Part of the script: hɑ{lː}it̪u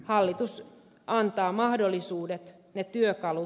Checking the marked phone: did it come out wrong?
no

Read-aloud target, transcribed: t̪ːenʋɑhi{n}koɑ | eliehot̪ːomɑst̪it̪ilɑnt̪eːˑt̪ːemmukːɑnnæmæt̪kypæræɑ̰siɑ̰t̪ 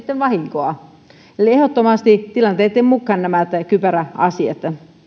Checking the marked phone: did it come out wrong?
yes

